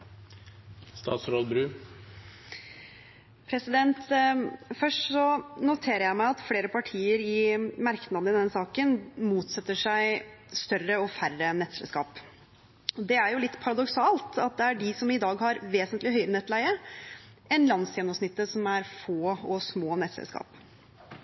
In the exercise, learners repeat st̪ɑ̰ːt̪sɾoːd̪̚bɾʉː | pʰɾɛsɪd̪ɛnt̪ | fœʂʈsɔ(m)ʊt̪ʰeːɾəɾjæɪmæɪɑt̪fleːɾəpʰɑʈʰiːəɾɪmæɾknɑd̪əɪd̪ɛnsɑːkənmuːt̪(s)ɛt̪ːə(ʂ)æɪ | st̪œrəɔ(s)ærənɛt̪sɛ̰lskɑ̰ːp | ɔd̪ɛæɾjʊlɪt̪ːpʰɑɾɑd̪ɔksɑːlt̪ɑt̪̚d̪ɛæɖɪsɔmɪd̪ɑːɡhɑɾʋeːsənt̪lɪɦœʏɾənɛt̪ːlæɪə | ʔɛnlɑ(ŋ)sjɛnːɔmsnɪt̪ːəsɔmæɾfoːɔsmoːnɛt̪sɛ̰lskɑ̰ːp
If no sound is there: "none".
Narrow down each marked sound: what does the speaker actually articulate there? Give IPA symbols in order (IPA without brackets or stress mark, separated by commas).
n, s, ʂ, f, n